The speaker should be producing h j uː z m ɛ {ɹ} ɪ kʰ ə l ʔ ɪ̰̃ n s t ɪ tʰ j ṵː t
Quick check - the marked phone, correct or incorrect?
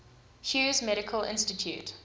incorrect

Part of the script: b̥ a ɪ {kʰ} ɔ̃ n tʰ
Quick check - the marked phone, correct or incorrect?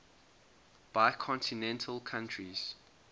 correct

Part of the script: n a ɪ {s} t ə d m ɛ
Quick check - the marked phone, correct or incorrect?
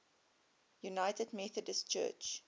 incorrect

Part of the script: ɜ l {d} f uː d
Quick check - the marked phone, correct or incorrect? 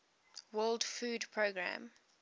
correct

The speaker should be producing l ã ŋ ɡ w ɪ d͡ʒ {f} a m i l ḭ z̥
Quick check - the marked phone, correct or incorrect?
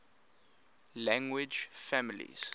correct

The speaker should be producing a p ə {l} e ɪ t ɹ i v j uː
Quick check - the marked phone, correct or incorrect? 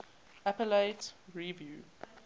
correct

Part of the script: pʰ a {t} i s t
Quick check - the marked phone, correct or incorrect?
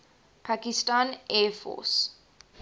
incorrect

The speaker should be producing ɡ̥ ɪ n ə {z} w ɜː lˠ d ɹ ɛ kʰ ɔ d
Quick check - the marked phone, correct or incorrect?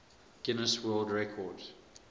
incorrect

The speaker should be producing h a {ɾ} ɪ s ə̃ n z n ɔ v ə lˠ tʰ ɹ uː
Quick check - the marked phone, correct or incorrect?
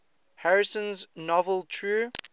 incorrect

